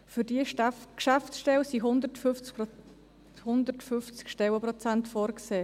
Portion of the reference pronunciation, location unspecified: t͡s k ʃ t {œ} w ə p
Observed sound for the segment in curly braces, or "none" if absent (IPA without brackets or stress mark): ɛ